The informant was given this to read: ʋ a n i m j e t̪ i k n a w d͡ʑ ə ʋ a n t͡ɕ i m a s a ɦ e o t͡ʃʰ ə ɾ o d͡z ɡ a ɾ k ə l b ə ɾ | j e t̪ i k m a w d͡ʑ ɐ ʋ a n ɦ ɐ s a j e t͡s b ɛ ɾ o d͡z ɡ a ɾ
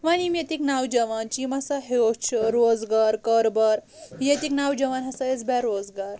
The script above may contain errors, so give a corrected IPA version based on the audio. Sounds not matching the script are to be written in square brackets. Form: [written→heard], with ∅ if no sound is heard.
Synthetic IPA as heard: ʋ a n i m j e t̪ i k n a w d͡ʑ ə ʋ a n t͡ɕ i m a s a ɦ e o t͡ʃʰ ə ɾ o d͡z ɡ a ɾ k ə [l→ɾ] b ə ɾ | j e t̪ i k [m→n] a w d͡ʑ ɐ ʋ a n ɦ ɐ s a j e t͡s b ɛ ɾ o d͡z ɡ a ɾ